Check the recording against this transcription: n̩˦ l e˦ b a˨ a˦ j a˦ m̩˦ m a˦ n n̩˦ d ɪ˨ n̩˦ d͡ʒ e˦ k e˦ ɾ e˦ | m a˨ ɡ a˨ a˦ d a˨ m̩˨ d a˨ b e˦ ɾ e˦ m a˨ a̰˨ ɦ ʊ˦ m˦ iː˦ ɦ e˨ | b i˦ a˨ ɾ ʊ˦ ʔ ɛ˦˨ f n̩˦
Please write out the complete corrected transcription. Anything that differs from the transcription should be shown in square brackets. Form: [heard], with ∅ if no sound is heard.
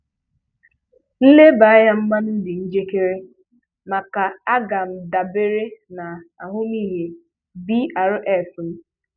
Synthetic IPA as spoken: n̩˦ l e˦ b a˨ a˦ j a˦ m̩˦ m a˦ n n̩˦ d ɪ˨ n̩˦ d͡ʒ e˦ k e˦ ɾ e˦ | m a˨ [k] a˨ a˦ [ɡ] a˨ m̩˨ d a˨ b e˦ ɾ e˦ [n] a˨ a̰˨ ɦ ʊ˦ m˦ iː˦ ɦ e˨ | b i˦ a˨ ɾ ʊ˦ ʔ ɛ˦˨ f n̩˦